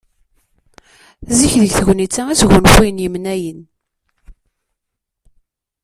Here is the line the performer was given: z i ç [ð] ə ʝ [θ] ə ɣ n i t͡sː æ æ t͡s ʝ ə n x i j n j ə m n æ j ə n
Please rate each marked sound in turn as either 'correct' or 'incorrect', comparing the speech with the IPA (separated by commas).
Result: correct, correct